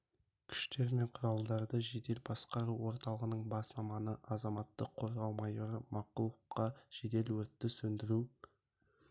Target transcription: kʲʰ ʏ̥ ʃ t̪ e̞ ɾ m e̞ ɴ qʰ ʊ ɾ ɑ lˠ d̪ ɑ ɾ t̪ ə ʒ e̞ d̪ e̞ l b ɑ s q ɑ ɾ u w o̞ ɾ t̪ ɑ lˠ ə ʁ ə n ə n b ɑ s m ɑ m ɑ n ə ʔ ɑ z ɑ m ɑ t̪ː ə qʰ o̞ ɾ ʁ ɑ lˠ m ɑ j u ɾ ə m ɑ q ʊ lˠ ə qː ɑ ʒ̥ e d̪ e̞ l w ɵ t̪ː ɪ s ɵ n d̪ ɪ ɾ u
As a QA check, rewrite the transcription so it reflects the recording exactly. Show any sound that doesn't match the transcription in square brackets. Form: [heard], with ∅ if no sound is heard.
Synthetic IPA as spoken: kʲʰ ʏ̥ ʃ t̪ e̞ ɾ m e̞ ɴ qʰ ʊ ɾ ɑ lˠ d̪ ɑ ɾ [d̪] ə ʒ e̞ d̪ e̞ l b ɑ s q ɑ ɾ u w o̞ ɾ t̪ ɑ lˠ ə ʁ ə n ə [ɴ] b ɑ s m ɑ m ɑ n ə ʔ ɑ z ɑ m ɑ t̪ː ə qʰ o̞ ɾ ʁ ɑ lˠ m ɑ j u ɾ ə m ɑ q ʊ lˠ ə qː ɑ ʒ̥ e d̪ e̞ l w ɵ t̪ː ɪ s ɵ n d̪ ɪ ɾ u